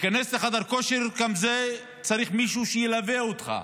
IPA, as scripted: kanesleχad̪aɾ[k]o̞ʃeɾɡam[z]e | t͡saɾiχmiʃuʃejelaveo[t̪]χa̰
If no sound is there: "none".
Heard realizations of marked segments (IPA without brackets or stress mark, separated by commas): k, z, t̪